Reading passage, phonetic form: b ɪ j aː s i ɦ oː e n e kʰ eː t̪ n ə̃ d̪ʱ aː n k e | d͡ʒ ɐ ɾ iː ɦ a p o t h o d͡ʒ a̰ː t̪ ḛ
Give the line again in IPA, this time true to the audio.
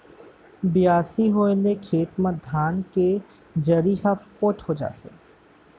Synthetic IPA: b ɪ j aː s i ɦ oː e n e kʰ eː t̪ m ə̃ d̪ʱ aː n k e | d͡ʒ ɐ ɾ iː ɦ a p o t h o d͡ʒ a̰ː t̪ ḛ

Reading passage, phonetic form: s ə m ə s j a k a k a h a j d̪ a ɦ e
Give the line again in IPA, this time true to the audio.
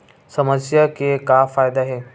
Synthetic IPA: s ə m ə s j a k e k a f a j d̪ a ɦ e

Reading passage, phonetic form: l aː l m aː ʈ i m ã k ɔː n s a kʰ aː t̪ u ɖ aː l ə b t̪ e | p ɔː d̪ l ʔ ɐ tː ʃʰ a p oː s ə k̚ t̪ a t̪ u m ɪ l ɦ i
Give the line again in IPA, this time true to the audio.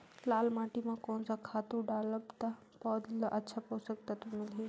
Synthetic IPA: l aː l m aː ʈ i m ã k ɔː n s a kʰ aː t̪ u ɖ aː l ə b t̪ a | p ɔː d̪ l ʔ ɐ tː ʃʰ a p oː s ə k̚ t̪ a t̪ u m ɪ l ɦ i

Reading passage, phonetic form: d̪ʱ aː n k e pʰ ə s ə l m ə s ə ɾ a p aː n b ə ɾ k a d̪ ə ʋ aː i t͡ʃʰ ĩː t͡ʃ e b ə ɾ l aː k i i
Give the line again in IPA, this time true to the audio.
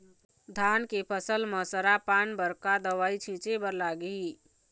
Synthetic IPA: d̪ʱ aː n k e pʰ ə s ə l m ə s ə ɾ a p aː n b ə ɾ k a d̪ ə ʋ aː i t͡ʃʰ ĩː t͡ʃ e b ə ɾ l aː ɡ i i

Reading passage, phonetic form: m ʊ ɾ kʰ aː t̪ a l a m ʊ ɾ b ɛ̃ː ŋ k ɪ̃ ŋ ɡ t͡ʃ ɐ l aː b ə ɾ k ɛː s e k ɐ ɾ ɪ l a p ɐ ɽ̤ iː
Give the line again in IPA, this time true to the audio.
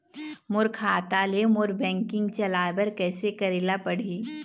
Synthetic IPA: m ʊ ɾ kʰ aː t̪ a l e m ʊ ɾ b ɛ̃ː ŋ k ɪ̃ ŋ ɡ t͡ʃ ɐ l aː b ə ɾ k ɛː s e k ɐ ɾ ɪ l a p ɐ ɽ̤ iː

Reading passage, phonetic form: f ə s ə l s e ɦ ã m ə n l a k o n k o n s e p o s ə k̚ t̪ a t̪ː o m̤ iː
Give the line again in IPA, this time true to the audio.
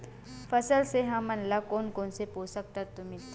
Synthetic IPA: f ə s ə l s e ɦ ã m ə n l a k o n k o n s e p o s ə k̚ t̪ a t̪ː u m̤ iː

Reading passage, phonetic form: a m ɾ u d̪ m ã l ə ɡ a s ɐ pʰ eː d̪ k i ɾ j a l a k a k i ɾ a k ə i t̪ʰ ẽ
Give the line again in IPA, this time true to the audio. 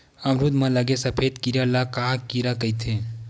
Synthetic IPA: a m ɾ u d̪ m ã l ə ɡ e s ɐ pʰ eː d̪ k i ɾ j a l a k a k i ɾ a k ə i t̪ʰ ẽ

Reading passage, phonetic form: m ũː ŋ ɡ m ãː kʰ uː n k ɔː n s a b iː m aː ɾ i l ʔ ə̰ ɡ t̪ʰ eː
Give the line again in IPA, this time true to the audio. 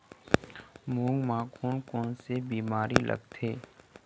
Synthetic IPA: m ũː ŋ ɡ m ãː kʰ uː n k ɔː n s e b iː m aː ɾ i l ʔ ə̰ ɡ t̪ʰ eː

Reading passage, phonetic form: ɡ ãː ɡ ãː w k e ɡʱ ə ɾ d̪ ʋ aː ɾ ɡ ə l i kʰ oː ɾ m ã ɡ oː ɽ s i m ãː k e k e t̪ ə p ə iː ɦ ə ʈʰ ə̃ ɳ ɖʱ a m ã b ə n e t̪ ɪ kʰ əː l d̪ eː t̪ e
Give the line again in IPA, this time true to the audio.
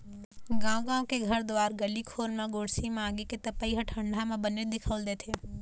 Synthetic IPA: ɡ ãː ɡ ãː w k e ɡʱ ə ɾ d̪ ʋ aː ɾ ɡ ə l i kʰ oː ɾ m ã ɡ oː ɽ s i m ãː ɡ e k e t̪ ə p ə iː ɦ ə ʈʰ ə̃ ɳ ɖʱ a m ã b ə n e d̪ ɪ kʰ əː l d̪ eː t̪ʰ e

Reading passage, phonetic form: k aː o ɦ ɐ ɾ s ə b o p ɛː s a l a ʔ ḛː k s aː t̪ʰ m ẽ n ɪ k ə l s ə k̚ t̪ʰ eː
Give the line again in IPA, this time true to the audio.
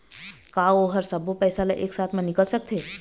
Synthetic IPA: k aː o ɦ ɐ ɾ s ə b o p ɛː s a l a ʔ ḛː k s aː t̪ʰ m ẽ n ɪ k ə l s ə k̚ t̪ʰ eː

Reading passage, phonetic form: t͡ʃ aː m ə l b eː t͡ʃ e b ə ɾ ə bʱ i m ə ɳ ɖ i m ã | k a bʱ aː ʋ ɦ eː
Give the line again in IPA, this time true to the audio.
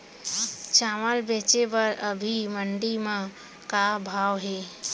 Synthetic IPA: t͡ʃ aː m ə l b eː t͡ʃ e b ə ɾ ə bʱ i m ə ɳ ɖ i m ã | k a bʱ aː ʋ ɦ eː

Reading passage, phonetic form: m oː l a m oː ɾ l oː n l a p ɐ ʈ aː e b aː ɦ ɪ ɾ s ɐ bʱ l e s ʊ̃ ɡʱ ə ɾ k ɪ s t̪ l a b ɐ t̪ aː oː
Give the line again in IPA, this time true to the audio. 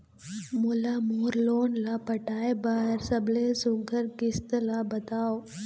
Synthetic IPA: m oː l a m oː ɾ l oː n l a p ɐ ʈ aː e b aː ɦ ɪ ɾ s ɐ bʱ l e s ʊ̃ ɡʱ ə ɾ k ɪ s t̪ l a b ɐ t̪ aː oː

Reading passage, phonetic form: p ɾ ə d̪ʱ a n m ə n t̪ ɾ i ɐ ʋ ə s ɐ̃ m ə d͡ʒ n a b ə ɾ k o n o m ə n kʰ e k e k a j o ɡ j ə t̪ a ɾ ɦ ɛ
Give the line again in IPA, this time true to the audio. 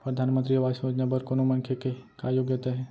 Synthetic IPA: p ɾ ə d̪ʱ a n m ə n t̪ ɾ i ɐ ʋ a s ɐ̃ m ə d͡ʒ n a b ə ɾ k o n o m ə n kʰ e k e k a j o ɡ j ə t̪ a ɦ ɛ

